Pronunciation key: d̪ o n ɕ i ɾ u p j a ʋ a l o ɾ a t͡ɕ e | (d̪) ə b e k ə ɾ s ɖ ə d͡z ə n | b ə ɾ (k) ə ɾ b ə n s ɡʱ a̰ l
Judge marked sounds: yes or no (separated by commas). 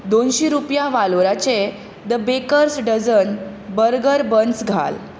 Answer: yes, no